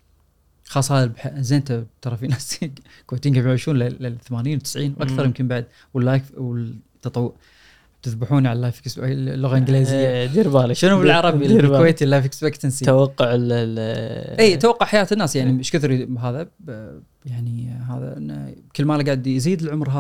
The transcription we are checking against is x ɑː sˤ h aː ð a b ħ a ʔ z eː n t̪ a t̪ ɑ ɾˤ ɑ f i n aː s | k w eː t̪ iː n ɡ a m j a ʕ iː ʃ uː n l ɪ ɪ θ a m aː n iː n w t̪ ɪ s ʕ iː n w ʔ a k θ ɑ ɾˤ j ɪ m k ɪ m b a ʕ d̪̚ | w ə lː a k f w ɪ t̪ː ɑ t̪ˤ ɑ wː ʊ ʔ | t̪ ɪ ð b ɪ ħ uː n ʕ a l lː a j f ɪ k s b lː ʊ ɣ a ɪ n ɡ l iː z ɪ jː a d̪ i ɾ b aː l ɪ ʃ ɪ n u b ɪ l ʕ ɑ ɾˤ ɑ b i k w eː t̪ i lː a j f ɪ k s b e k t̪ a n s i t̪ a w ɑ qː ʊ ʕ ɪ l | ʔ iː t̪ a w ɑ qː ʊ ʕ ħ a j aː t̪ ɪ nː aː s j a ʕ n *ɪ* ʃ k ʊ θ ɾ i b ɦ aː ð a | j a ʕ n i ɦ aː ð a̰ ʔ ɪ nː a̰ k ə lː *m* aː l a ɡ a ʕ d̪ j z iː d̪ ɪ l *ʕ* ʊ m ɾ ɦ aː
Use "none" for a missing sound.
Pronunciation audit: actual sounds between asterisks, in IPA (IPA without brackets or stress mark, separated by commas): i, m, ʕ